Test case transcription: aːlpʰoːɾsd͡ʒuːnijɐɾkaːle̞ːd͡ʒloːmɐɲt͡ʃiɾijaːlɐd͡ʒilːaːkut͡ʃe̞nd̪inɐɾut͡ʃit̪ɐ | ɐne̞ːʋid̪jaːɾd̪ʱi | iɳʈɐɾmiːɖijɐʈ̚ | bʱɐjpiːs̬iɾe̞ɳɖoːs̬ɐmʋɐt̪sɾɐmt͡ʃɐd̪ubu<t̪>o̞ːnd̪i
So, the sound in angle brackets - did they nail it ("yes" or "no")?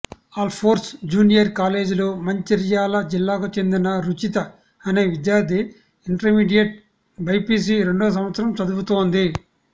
yes